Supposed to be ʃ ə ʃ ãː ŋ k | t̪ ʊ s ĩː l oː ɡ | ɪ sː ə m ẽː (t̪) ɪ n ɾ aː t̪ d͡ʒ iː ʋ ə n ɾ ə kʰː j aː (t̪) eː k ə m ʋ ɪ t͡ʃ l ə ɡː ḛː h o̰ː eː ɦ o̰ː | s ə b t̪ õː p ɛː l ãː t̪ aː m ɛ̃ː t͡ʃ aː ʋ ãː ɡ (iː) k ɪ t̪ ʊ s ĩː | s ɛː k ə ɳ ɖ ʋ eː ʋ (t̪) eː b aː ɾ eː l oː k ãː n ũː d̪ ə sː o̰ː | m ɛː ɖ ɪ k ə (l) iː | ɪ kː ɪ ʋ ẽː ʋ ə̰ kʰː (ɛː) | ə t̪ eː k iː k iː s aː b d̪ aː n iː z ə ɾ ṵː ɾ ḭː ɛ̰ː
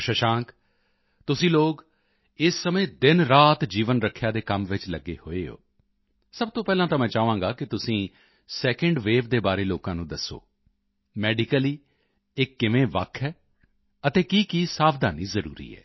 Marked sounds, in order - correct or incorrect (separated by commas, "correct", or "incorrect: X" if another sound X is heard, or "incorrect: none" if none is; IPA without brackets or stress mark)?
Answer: incorrect: d̪, incorrect: d̪, incorrect: aː, incorrect: d̪, correct, correct